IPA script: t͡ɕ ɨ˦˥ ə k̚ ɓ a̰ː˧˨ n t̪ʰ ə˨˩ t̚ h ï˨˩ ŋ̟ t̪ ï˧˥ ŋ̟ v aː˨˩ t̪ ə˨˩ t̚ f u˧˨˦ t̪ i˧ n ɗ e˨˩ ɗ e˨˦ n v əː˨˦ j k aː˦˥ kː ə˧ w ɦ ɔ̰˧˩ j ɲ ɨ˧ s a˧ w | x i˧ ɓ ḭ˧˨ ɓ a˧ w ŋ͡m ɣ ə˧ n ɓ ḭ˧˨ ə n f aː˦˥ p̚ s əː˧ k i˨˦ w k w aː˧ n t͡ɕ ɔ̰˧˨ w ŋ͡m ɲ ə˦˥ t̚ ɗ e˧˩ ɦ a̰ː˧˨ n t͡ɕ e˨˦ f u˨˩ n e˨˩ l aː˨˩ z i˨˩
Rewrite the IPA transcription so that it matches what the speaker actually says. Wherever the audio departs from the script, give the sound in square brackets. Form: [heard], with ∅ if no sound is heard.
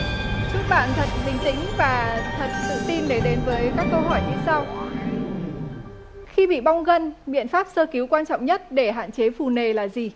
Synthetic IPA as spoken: t͡ɕ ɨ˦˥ ə k̚ ɓ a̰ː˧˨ n t̪ʰ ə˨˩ t̚ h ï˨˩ ŋ̟ t̪ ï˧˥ ŋ̟ v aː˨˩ [t̪ʰ] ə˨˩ t̚ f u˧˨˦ t̪ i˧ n ɗ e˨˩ ɗ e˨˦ n v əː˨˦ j k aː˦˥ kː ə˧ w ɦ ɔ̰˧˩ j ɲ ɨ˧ s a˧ w | x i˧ ɓ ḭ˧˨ ɓ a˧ w ŋ͡m ɣ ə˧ n ɓ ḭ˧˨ ə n f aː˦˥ p̚ s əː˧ k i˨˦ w k w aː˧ n t͡ɕ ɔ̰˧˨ w ŋ͡m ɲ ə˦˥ t̚ ɗ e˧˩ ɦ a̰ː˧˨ n t͡ɕ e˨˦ f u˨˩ n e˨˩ l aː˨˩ z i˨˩